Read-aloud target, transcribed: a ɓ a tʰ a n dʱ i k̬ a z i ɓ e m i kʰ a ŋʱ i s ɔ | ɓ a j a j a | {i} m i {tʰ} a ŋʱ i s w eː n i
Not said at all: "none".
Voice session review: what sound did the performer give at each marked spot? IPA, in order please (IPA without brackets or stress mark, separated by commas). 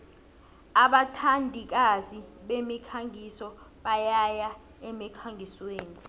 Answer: ɛ, kʰ